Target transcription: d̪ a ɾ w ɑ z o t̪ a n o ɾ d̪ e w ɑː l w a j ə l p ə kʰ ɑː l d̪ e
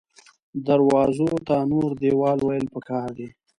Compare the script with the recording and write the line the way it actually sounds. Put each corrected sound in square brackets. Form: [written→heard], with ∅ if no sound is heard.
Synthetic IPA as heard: d̪ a ɾ w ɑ z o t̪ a n o ɾ d̪ e w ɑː l w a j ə l p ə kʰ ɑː [l→ɾ] d̪ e